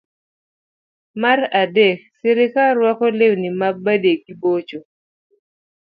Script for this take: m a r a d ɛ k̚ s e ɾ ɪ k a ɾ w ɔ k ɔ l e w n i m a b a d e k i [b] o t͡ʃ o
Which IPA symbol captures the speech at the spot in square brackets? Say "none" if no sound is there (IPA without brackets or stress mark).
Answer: b